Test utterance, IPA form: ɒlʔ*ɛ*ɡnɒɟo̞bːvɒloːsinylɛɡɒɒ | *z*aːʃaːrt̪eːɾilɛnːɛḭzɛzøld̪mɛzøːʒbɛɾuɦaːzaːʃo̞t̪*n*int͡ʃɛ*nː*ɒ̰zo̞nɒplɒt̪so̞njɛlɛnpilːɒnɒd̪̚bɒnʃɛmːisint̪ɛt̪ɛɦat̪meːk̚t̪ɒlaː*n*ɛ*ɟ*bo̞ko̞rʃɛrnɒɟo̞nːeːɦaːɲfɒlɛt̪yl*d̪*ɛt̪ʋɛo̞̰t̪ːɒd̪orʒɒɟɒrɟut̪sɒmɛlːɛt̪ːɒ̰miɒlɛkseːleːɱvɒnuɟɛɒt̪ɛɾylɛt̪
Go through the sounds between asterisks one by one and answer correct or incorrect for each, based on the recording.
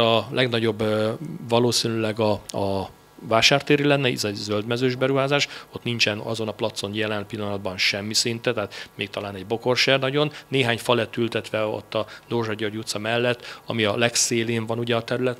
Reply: correct, incorrect, correct, incorrect, correct, correct, incorrect

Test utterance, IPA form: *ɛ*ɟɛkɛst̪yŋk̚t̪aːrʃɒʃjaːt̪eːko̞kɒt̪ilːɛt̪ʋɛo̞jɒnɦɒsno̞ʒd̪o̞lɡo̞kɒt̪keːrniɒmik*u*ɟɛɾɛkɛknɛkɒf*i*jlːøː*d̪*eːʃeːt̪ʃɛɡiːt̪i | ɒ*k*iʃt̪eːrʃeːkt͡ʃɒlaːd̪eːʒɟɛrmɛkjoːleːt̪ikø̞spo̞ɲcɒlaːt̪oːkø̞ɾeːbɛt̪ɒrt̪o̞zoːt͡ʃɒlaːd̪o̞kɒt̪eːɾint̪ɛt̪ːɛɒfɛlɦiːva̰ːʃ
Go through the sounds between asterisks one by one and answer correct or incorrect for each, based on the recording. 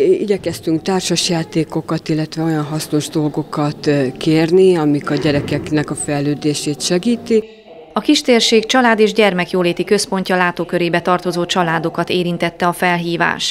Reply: incorrect, incorrect, incorrect, correct, correct

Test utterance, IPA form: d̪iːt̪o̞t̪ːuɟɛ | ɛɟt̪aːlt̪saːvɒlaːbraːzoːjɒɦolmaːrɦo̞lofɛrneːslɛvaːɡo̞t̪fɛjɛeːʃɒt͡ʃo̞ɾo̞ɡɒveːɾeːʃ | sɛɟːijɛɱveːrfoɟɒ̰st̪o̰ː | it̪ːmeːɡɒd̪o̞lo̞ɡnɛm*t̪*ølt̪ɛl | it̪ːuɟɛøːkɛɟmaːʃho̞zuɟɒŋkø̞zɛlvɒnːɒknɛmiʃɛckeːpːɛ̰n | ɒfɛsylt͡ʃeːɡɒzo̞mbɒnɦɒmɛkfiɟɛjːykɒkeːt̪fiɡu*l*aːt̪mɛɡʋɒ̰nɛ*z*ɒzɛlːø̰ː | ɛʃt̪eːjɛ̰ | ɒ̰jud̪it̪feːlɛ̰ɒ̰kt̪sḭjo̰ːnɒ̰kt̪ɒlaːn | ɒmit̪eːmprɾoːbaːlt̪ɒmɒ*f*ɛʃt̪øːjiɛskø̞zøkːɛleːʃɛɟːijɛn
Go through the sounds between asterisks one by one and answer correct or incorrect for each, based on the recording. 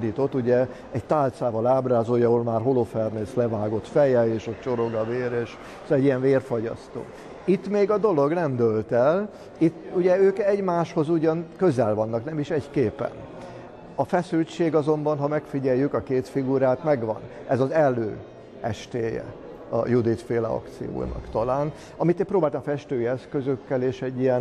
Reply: incorrect, incorrect, correct, correct

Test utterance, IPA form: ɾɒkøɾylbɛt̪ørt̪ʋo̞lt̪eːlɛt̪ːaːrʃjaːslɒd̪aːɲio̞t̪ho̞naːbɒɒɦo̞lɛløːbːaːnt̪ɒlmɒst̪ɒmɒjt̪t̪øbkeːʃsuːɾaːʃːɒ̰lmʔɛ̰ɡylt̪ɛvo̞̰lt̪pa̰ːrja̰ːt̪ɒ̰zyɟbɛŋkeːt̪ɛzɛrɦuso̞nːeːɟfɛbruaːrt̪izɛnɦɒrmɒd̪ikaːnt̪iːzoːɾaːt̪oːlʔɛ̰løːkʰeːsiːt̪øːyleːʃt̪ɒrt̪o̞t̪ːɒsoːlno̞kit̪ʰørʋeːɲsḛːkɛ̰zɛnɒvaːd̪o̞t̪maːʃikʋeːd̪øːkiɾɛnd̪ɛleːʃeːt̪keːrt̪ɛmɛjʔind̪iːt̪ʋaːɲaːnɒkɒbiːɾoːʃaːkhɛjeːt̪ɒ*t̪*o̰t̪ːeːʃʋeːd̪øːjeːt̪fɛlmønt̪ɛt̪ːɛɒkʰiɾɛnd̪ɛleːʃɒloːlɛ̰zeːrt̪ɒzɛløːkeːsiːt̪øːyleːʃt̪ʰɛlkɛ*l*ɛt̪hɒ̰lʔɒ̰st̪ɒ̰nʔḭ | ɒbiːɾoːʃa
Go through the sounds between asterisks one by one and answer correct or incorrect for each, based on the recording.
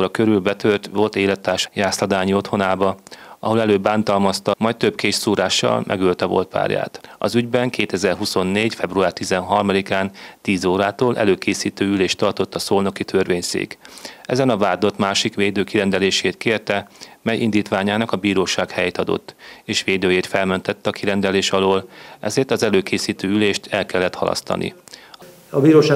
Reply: incorrect, incorrect

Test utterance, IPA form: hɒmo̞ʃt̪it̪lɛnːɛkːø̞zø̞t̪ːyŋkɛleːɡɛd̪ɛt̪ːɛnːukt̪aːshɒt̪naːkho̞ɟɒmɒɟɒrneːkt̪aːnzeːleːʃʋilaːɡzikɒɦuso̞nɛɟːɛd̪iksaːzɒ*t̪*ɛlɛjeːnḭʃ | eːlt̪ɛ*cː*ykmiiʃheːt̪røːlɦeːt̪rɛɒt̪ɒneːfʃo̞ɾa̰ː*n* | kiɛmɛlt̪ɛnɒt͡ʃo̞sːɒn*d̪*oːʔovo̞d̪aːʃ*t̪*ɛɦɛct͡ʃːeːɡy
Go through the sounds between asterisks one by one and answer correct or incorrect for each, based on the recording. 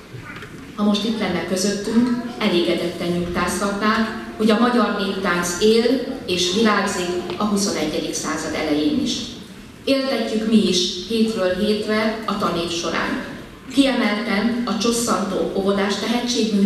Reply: incorrect, correct, correct, incorrect, correct

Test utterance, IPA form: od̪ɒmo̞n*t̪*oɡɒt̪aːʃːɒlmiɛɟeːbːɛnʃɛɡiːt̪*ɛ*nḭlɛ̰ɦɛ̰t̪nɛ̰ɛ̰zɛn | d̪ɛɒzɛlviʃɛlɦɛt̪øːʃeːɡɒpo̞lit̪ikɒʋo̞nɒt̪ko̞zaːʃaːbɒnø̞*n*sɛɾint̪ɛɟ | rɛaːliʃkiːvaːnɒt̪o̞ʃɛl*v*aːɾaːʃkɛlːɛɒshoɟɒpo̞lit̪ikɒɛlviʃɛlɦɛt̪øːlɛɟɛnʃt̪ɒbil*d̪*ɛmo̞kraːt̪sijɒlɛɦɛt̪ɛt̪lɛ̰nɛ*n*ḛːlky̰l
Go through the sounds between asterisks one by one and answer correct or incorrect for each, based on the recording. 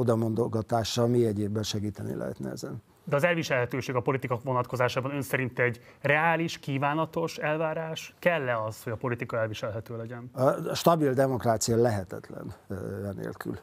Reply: incorrect, correct, correct, correct, correct, correct

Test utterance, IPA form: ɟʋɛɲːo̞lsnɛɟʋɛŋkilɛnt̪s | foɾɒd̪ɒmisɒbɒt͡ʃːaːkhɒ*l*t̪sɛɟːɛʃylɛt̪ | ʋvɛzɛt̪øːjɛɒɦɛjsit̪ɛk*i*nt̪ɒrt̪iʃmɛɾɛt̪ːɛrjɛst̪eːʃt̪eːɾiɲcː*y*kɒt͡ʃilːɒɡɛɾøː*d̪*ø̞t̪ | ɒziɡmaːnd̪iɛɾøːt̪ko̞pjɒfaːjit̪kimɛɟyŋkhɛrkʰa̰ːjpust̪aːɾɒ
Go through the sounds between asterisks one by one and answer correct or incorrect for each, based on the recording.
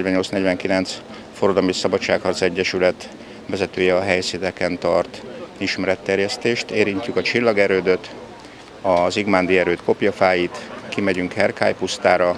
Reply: incorrect, incorrect, correct, correct

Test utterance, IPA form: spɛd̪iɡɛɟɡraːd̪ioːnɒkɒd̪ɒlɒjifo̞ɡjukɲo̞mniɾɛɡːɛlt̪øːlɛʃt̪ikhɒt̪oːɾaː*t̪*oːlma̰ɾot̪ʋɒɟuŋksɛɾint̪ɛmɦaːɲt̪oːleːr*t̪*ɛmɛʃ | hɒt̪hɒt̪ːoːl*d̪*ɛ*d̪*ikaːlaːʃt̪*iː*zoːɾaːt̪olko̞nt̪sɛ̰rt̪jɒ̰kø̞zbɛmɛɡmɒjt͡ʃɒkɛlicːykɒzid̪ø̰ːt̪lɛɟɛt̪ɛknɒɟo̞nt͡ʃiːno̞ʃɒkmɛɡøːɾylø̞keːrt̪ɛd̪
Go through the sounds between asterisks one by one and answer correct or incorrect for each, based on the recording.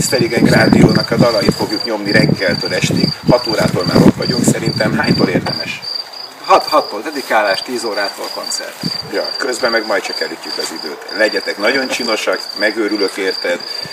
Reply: correct, incorrect, correct, correct, correct

